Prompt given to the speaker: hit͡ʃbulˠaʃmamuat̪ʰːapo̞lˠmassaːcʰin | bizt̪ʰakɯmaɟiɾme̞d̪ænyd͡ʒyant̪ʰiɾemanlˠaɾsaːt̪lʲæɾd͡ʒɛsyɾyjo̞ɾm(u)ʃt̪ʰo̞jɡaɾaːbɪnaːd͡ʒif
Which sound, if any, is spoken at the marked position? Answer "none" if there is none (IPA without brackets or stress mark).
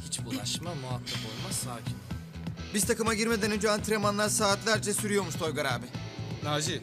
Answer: u